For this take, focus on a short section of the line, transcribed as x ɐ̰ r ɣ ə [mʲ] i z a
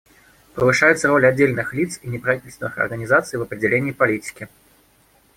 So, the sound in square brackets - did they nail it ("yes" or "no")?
no